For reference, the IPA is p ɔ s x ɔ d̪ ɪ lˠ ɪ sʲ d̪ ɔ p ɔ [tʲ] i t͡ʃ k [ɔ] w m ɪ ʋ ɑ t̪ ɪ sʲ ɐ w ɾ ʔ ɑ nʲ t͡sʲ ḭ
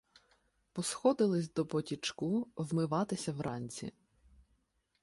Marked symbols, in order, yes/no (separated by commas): yes, no